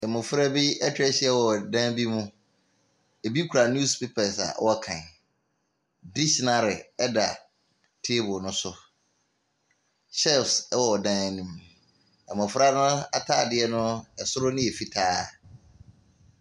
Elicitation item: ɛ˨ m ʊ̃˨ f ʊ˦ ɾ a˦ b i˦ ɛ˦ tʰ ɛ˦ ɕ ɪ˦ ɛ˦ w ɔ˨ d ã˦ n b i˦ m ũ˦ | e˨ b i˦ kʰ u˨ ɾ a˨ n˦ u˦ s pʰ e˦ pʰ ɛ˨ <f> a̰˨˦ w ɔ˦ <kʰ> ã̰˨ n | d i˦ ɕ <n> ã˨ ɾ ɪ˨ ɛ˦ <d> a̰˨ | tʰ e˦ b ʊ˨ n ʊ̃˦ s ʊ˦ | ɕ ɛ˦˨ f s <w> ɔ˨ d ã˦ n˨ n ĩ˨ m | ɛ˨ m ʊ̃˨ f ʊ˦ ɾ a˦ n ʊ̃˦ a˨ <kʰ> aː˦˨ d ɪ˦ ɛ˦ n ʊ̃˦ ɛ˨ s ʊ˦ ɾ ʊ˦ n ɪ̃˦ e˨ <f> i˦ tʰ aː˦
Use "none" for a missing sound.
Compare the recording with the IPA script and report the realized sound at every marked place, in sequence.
s, kʰ, n, d, w, tʰ, f

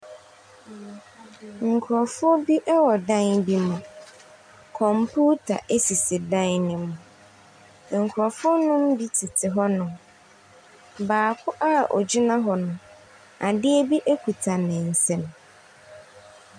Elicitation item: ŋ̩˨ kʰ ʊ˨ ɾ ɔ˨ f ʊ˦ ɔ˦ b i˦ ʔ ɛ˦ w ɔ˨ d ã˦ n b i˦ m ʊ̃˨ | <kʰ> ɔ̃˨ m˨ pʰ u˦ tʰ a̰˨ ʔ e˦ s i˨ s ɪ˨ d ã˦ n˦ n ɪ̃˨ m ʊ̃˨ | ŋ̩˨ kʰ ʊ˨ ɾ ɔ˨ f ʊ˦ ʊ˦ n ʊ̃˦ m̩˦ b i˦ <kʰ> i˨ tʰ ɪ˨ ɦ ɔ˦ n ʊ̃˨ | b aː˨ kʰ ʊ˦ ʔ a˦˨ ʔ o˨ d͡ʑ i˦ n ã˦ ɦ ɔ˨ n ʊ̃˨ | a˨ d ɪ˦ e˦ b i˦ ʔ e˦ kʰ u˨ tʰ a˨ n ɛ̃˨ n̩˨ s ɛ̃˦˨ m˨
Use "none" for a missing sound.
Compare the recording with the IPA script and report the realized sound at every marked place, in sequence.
kʰ, tʰ

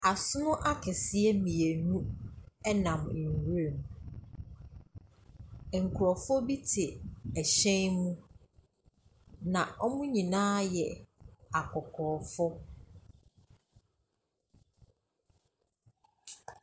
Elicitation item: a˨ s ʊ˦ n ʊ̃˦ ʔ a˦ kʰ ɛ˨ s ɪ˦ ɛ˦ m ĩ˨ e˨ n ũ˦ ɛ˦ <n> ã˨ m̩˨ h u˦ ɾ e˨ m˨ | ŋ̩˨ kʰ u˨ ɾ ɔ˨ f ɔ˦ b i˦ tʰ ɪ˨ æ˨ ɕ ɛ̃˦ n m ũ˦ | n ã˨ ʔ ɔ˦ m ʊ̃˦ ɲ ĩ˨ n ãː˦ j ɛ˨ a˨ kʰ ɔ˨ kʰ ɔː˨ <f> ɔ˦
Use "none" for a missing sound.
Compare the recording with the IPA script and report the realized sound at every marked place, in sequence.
n, f

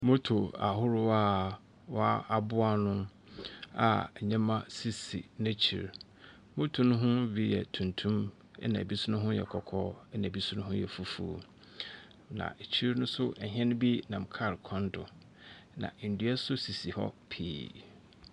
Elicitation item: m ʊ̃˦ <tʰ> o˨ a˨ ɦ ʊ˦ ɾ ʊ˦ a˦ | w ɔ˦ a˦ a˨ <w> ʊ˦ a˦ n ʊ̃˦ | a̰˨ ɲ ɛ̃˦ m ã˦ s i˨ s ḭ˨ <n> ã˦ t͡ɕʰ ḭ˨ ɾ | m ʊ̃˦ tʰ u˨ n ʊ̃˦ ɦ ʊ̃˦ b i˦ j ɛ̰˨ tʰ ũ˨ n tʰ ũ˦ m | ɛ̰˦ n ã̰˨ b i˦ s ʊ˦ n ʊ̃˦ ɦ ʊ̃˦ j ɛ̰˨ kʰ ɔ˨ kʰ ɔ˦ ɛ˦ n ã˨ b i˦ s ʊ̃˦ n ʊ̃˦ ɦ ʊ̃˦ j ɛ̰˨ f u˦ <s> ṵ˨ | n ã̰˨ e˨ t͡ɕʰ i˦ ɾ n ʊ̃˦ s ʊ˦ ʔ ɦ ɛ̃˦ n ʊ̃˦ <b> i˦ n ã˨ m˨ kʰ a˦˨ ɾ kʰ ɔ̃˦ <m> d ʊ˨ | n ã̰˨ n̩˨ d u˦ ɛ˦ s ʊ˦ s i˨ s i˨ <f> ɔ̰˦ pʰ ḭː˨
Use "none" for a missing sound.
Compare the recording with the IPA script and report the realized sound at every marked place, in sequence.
tʰ, b, n, f, b, n, h

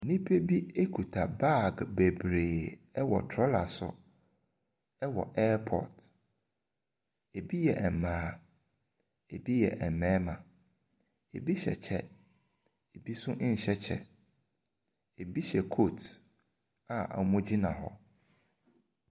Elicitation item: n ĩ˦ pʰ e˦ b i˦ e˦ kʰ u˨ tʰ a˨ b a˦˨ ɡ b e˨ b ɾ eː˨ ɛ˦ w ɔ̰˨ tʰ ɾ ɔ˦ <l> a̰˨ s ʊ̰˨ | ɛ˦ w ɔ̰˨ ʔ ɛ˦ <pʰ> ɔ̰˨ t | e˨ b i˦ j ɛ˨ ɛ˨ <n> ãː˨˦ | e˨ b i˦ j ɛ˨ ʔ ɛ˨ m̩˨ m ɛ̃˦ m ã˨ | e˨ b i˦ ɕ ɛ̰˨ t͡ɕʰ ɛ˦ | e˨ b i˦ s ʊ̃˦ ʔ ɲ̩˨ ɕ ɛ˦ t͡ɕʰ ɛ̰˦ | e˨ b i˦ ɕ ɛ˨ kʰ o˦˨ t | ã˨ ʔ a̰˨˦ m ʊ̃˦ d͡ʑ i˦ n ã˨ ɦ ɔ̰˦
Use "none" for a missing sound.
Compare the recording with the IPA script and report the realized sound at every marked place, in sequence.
l, pʰ, m

